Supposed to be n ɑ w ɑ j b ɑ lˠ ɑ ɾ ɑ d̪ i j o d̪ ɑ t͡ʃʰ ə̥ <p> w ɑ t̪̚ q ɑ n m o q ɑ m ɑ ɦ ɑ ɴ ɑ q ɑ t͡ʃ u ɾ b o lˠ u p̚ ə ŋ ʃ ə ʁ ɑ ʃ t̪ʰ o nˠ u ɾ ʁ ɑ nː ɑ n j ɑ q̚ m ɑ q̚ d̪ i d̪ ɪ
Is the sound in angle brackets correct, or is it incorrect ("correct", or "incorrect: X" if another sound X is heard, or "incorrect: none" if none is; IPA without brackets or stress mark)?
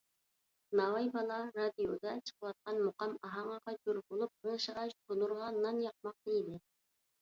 incorrect: q